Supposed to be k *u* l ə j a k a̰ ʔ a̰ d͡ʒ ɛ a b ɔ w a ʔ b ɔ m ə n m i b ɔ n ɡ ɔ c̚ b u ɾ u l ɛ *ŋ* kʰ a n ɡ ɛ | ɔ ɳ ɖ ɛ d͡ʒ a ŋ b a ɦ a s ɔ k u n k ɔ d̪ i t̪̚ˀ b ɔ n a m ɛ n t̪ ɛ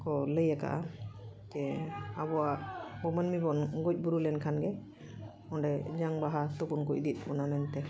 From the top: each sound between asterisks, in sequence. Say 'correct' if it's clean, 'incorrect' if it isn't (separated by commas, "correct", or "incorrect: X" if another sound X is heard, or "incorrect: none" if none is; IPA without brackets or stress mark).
incorrect: ɔ, incorrect: n